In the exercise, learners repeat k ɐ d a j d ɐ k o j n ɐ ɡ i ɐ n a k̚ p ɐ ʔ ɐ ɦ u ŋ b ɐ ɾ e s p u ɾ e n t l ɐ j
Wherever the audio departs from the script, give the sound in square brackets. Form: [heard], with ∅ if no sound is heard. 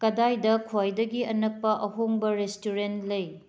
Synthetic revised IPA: k ɐ d a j d ɐ [kʰ] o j [d] ɐ ɡ i ɐ n [ɐ] k̚ p ɐ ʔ ɐ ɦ [o] ŋ b ɐ ɾ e s [t] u ɾ e n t l ɐ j